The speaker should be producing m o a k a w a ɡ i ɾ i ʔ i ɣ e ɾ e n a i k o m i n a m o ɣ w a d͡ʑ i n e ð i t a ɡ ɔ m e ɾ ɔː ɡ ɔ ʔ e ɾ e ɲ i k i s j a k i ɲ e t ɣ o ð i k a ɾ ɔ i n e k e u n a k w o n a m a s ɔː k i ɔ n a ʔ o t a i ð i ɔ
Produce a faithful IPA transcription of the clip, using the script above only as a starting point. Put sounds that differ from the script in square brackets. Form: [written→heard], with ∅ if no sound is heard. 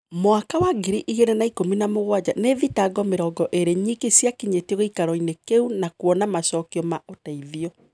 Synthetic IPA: m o a k a w a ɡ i ɾ i ʔ i ɣ e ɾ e n a i k o m i n a m o ɣ w a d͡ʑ [i→a] n e ð i t a ɡ ɔ m e ɾ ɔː ɡ ɔ ʔ e ɾ e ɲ i k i s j a k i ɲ e t ɣ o [ð→∅] i k a ɾ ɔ i n e k e u n a k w [o→ɔ] n a m a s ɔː k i ɔ [n→m] a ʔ o t a i ð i ɔ

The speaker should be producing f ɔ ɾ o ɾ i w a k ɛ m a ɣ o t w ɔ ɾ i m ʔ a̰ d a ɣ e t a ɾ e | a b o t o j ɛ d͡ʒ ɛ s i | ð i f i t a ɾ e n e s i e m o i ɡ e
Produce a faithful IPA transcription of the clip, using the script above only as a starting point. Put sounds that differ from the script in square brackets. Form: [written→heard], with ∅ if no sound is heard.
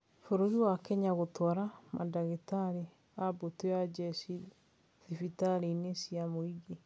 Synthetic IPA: f [ɔ→o] ɾ o ɾ i w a k ɛ [m→ɲ] a ɣ o t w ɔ ɾ [i→a] m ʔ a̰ d a ɣ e t a ɾ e | a b o t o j [ɛ→a] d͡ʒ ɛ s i | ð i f i t a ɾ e n e s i [e→a] m o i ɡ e

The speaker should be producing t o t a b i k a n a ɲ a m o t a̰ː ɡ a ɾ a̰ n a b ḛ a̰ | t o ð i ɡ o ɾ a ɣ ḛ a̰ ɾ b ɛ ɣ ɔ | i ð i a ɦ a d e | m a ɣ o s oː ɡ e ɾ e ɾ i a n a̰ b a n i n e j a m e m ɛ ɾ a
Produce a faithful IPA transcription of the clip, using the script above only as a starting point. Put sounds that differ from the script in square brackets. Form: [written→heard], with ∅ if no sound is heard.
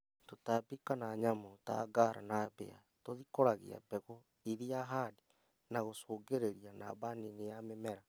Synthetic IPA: t o t a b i k a n a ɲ a m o t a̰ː ɡ a ɾ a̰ n a b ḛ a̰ | t o ð i [ɡ→k] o ɾ a ɣ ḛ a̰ [ɾ→∅] b ɛ ɣ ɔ | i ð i a ɦ a d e | [m→n] a ɣ o s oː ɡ e ɾ e ɾ i a n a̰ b a n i n e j a m e m ɛ ɾ a

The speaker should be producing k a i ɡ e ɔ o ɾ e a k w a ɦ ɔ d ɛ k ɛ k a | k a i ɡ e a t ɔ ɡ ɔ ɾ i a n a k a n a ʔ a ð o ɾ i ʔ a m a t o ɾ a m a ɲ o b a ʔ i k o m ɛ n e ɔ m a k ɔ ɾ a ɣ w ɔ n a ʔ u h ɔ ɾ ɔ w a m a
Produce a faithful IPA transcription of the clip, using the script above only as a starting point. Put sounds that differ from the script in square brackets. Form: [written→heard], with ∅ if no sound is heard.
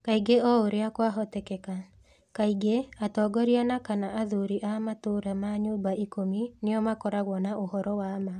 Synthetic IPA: k a i ɡ e ɔ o ɾ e a k w a ɦ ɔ [d→t] ɛ k ɛ k a | k a i ɡ e a t ɔ ɡ ɔ ɾ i a n a k a n a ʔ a ð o ɾ i ʔ a m a t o ɾ a m a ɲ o b a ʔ i k o m [ɛ→i] n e ɔ m a k ɔ ɾ a ɣ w ɔ n a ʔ [u→o] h ɔ ɾ ɔ w a m a

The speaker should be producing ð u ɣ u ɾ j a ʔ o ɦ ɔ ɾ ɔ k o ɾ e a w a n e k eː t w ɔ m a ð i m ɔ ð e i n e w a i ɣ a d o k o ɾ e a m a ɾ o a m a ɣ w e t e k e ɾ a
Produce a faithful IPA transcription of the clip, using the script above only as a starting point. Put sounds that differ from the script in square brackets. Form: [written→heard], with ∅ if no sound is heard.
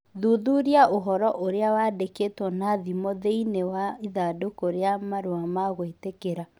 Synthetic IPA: ð u [ɣ→ð] u ɾ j a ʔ o ɦ ɔ ɾ ɔ [k→ʔ] o ɾ e a w a [n→d] e k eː t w ɔ [m→n] a ð i m ɔ ð e i n e w a i [ɣ→ð] a d o k o ɾ e a m a ɾ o a m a ɣ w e t e k e ɾ a

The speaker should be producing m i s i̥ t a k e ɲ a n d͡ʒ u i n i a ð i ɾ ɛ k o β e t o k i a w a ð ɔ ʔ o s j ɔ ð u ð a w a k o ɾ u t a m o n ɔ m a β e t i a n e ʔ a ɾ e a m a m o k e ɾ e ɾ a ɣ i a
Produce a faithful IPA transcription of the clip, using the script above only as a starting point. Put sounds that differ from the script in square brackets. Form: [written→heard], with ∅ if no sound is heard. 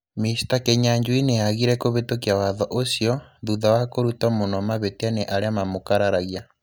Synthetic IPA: m i s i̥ t a k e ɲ a [n→ɲ] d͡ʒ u i n [i→e] a [ð→ɣ] i ɾ ɛ k o β e t o k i a w a ð ɔ ʔ o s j ɔ ð u ð a w a k o ɾ u t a m o n ɔ m a β e t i a n e ʔ a ɾ e a m a m o k [e→a] ɾ [e→a] ɾ a ɣ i a

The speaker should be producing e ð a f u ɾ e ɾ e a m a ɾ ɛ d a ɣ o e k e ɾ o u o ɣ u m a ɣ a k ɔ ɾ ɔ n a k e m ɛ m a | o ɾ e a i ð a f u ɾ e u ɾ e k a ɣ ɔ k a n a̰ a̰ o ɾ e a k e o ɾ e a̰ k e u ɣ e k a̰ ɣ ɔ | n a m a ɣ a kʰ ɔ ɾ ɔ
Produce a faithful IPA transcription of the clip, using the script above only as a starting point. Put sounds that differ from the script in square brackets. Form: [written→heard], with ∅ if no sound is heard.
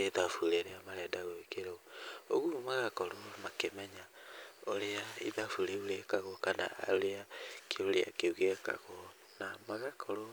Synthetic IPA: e ð a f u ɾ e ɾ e a m a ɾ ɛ d a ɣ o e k e ɾ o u o ɣ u m a ɣ a k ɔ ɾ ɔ [n→m] a k e m ɛ [m→ɲ] a | o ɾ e a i ð a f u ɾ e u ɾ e k a ɣ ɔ k a n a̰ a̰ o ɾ e a k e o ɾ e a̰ k e u ɣ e k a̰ ɣ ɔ | n a m a ɣ a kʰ ɔ ɾ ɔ

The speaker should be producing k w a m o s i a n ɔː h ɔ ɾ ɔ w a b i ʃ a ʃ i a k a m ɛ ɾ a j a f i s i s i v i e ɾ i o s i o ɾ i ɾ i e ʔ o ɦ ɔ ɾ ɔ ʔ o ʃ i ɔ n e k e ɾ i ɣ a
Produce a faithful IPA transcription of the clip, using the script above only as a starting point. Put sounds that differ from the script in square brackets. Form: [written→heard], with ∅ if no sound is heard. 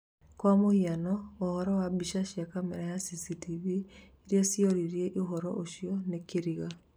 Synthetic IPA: k w a m o [s→h] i a n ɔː h ɔ ɾ ɔ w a b i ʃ a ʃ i a k a m ɛ ɾ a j a [f→s] i s i [s→t] i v i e ɾ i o s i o ɾ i ɾ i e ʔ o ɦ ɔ ɾ ɔ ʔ o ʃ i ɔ n e k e ɾ i ɣ a

